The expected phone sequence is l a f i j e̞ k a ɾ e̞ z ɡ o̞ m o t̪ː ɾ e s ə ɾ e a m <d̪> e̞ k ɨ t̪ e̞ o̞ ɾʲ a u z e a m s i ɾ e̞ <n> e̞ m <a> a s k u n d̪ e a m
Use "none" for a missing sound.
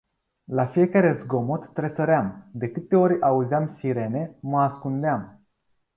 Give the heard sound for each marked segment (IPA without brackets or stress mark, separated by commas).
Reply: d̪, n, ə